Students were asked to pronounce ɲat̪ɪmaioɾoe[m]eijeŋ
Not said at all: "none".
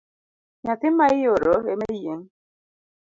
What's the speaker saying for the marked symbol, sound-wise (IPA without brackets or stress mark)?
m